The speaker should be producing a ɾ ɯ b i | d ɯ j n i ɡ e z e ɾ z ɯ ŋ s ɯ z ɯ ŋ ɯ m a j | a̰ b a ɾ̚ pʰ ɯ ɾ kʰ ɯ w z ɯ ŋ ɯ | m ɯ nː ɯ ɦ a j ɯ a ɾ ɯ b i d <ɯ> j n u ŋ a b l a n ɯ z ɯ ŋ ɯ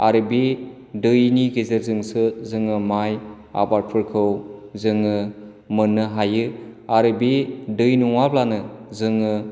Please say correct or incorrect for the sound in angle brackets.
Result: correct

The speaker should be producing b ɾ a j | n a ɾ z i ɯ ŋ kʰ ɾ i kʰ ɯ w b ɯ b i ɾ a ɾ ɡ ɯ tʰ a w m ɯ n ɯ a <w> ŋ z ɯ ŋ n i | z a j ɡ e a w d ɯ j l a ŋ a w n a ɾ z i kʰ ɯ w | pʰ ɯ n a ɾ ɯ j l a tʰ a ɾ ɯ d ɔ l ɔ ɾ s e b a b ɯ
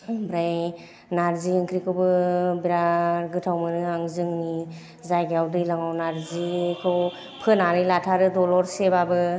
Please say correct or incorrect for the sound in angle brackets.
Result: incorrect: none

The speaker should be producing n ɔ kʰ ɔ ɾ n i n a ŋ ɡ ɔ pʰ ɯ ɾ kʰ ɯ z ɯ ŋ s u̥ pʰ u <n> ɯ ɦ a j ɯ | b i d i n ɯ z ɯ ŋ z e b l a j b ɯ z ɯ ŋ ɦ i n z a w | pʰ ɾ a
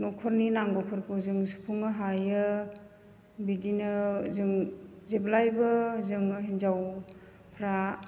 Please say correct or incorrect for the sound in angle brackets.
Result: incorrect: ŋ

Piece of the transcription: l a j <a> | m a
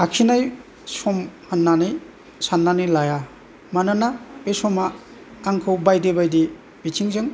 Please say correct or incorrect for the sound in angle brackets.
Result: correct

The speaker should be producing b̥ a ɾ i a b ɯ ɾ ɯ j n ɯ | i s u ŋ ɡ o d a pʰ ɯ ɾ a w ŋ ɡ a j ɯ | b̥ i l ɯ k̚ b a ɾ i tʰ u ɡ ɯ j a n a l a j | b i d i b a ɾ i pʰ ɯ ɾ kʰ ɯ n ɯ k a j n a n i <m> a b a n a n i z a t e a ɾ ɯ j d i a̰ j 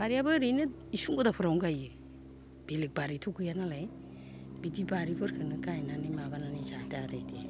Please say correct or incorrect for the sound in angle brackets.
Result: correct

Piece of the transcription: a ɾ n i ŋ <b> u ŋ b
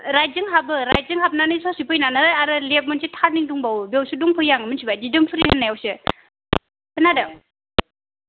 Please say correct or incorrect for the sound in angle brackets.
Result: incorrect: d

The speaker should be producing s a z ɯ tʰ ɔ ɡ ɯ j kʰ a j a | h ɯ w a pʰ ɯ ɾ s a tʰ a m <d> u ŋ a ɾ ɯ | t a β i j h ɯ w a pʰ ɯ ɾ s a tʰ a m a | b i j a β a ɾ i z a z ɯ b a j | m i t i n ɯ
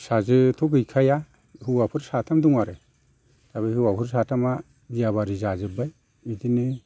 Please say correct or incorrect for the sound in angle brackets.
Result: correct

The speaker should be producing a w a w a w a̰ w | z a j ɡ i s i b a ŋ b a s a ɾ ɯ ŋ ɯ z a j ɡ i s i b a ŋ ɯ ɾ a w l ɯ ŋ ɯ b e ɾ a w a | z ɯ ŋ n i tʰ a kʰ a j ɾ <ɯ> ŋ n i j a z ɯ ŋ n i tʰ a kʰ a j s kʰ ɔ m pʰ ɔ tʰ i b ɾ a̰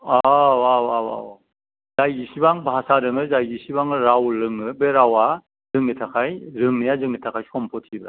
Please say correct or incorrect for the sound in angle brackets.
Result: correct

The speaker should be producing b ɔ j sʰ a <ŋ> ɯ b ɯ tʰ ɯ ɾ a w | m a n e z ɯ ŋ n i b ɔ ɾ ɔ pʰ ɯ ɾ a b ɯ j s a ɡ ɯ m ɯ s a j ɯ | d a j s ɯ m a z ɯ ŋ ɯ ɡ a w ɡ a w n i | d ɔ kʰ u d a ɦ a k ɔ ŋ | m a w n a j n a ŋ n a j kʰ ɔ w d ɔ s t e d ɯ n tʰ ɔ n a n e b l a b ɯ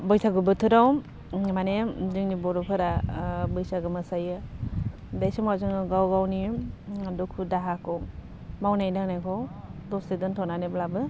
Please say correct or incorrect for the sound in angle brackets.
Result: incorrect: ɡ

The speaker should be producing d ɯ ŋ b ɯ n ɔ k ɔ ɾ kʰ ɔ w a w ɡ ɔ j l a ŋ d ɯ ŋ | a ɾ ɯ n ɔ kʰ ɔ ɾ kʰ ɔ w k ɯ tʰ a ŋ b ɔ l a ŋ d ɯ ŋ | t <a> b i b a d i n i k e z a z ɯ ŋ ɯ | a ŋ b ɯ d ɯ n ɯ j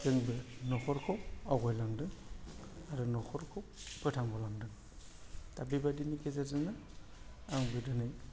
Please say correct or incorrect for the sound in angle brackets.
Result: correct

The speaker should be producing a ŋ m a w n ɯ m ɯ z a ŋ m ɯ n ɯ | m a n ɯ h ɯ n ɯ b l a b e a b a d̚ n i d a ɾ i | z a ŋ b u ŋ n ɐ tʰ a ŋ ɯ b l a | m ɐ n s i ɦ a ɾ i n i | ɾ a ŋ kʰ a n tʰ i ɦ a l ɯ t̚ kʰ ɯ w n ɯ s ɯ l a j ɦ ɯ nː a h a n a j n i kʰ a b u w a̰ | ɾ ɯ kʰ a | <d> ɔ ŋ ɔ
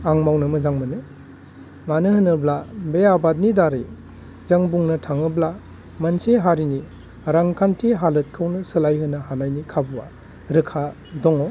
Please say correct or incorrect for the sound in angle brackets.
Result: correct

